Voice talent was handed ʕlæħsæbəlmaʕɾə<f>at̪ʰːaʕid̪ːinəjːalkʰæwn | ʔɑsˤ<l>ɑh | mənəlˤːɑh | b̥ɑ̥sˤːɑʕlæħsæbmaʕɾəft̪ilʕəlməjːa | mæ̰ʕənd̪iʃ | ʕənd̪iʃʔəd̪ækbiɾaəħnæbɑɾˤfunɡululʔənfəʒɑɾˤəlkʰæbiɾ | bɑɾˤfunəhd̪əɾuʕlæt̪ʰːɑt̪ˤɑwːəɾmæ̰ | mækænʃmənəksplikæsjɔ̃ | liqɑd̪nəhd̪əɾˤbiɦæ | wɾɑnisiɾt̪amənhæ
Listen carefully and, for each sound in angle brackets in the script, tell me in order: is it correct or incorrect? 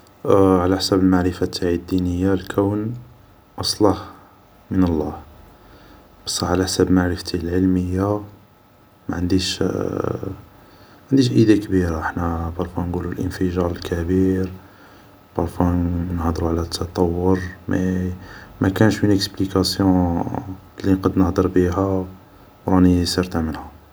correct, correct

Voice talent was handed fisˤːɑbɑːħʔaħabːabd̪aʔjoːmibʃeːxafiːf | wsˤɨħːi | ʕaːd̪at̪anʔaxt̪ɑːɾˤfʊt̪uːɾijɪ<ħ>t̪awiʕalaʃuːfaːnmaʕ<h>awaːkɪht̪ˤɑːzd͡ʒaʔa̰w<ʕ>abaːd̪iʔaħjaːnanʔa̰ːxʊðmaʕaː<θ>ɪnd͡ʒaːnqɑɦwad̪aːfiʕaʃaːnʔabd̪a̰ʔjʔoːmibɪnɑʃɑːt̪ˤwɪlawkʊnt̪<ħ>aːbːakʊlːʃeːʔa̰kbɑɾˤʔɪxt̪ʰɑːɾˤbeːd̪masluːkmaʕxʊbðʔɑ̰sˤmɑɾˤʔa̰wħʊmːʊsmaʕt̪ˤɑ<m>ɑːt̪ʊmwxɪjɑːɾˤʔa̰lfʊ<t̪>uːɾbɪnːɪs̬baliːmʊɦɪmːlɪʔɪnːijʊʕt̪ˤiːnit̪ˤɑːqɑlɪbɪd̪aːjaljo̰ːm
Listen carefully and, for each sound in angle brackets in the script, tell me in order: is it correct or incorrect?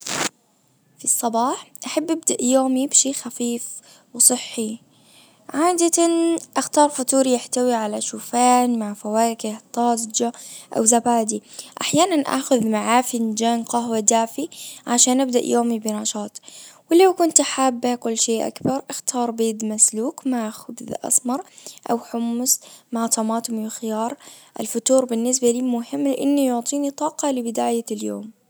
correct, incorrect, incorrect, incorrect, correct, correct, correct

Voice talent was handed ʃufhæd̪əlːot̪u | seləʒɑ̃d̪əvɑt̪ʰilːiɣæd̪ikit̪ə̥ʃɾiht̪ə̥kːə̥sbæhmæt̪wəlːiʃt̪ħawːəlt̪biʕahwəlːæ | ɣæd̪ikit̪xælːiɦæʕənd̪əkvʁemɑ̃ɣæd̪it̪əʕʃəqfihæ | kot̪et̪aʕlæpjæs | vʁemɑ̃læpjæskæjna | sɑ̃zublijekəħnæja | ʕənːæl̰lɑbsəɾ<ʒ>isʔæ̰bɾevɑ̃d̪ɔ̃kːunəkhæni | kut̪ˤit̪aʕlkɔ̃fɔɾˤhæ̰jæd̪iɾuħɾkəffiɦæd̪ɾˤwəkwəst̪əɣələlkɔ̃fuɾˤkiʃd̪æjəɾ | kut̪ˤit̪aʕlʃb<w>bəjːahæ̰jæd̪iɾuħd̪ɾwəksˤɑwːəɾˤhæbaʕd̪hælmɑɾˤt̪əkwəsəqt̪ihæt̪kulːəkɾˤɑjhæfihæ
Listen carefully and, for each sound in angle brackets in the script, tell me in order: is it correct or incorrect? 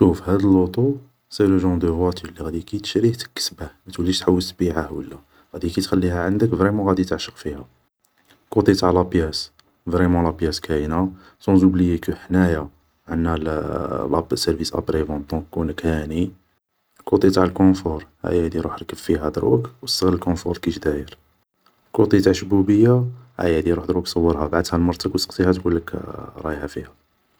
incorrect, incorrect

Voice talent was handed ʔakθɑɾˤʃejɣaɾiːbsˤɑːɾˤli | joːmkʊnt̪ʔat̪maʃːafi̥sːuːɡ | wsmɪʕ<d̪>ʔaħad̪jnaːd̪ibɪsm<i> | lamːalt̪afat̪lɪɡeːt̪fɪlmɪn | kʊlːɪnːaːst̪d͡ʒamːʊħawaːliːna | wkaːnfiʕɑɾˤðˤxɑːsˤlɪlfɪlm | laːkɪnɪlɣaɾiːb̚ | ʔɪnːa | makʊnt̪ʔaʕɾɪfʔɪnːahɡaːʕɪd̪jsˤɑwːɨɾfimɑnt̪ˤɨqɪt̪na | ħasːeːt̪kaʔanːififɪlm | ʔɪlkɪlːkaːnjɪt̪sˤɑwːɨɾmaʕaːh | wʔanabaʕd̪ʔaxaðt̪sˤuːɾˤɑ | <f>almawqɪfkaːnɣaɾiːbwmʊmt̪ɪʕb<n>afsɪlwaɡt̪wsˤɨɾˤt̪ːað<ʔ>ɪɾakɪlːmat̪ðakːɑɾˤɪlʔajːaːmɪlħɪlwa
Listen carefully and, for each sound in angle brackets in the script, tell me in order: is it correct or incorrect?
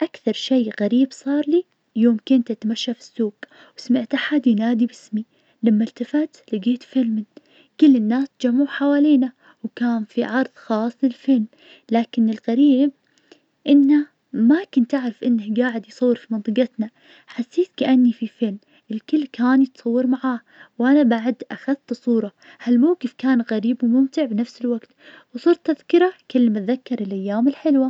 incorrect, correct, incorrect, correct, incorrect

